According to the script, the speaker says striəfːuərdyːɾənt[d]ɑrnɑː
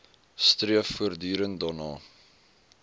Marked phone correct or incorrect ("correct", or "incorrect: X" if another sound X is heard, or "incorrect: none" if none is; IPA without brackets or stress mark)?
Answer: correct